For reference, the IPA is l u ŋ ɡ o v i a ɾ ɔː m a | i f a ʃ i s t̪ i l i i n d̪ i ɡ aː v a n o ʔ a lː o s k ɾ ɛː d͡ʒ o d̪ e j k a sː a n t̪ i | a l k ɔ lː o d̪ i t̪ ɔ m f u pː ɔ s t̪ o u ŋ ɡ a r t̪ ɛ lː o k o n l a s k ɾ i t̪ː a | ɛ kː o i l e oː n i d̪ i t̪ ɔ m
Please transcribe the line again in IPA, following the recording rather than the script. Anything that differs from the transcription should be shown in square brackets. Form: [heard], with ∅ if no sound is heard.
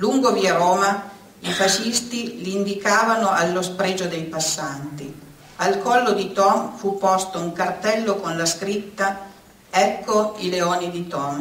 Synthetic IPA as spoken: l u ŋ ɡ o v i a ɾ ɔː m a | i f a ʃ i s t̪ i l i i n d̪ i [k] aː v a n o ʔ a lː o s [p] ɾ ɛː d͡ʒ o d̪ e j [p] a sː a n t̪ i | a l k ɔ lː o d̪ i t̪ ɔ m f u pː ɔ s t̪ o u ŋ [k] a r t̪ ɛ lː o k o n l a s k ɾ i t̪ː a | ɛ kː o i l e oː n i d̪ i t̪ ɔ m